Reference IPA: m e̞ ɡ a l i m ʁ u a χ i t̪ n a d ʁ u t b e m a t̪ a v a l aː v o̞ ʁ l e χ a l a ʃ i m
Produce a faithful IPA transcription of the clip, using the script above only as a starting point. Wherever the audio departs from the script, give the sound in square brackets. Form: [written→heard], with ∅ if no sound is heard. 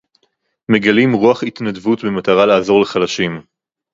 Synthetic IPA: m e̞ ɡ a l i m ʁ u a χ i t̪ n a d [ʁ→v] u t b e m a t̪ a [v→ʁ] a l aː [v→z] o̞ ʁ l e χ a l a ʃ i m